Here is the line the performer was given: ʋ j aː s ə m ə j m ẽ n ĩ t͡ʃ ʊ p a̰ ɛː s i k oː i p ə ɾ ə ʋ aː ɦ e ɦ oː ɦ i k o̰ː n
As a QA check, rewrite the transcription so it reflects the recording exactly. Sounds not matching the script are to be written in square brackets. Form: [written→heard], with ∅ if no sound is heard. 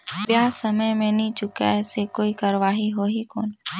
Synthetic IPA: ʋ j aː s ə m ə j m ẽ n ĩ t͡ʃ ʊ [p→k] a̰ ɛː s [i→e] k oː i [p→k] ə ɾ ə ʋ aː ɦ [e→i] ɦ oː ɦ i k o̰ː n